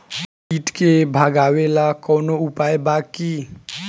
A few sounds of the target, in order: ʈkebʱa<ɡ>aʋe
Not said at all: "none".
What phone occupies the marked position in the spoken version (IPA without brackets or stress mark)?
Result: ɡ